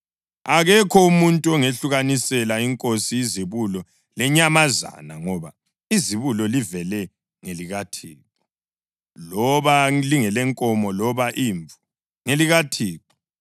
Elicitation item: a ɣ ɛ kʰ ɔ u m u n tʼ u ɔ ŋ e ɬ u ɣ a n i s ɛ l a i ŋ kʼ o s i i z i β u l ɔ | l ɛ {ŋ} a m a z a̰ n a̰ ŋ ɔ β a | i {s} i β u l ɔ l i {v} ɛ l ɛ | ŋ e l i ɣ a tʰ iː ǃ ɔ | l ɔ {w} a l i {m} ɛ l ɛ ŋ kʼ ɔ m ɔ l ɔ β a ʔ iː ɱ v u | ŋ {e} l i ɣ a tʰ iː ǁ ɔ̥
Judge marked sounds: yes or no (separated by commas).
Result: no, no, yes, no, no, yes